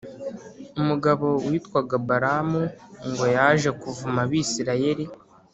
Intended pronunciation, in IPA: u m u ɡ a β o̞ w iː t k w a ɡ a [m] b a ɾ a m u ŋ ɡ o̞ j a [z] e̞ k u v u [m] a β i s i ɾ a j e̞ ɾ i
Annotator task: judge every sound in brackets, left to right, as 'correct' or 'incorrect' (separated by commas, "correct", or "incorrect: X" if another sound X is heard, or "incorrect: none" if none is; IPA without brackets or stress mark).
incorrect: none, incorrect: ʒ, correct